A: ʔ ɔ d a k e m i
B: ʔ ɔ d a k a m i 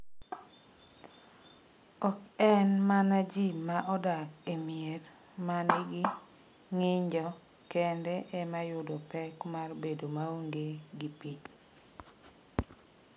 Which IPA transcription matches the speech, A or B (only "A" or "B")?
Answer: A